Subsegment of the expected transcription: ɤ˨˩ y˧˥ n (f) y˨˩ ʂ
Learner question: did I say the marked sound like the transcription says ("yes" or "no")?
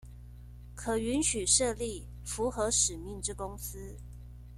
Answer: no